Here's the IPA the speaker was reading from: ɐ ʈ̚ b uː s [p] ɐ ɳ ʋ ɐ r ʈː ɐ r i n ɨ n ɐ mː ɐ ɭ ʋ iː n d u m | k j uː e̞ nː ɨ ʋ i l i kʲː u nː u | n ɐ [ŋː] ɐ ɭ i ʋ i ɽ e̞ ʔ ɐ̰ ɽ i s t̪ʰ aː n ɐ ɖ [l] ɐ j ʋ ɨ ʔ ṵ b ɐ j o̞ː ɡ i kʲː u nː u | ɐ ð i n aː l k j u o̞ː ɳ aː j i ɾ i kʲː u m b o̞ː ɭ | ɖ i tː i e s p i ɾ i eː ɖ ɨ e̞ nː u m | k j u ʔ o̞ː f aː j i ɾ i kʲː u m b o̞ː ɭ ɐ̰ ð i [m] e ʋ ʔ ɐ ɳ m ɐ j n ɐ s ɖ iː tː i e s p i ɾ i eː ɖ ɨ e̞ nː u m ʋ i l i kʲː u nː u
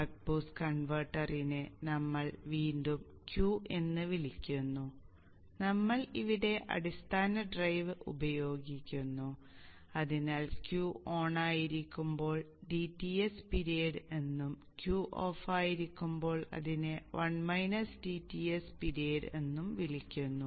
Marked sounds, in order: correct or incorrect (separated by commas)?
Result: incorrect, incorrect, incorrect, incorrect